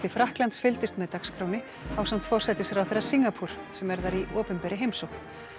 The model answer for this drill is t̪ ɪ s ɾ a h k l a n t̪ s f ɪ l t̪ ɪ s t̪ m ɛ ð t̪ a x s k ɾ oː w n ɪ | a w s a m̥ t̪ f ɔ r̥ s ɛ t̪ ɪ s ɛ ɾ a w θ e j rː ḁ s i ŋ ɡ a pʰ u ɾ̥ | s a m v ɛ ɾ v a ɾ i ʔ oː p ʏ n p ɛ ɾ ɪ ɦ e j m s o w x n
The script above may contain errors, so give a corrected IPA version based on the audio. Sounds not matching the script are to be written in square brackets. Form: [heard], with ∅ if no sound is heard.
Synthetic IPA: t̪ ɪ [f] ɾ a h k l a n t̪ s f ɪ l t̪ ɪ s t̪ m ɛ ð t̪ a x s k ɾ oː w n ɪ | a w s a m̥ t̪ f ɔ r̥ s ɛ t̪ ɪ s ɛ ɾ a w θ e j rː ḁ s i ŋ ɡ a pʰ u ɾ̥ | s [ɛ] m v ɛ ɾ [ð] a ɾ i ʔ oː p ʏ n p ɛ ɾ ɪ ɦ e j m s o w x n